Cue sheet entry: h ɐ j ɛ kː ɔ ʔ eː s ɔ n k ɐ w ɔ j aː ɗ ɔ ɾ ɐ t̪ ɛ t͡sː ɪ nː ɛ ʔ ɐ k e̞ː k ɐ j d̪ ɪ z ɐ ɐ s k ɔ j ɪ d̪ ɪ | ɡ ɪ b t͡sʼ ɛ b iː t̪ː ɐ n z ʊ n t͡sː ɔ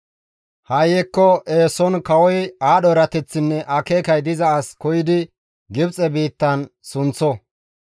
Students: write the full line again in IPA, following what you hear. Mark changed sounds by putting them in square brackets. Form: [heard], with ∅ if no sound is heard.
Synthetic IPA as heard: h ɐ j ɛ kː ɔ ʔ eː s ɔ n k ɐ w ɔ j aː ɗ ɔ ɾ ɐ t̪ ɛ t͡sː ɪ nː ɛ ʔ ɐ k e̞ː k ɐ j d̪ ɪ z ɐ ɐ s k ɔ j ɪ d̪ ɪ | ɡ ɪ b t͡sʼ ɛ b iː t̪ː ɐ n [s] ʊ n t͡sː ɔ